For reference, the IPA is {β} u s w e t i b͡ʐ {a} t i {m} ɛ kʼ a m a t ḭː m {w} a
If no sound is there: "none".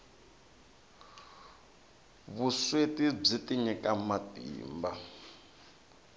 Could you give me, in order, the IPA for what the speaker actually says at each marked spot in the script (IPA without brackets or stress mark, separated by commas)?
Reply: β, i, ɲ, b